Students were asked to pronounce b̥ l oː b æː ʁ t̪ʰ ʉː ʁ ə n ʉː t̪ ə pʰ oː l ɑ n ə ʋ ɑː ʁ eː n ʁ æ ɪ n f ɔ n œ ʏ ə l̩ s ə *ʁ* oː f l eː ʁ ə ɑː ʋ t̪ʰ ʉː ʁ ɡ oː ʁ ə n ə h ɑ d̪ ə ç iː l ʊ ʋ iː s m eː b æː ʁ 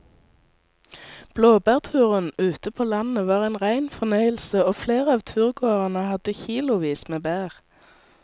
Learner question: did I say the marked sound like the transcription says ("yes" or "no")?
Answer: no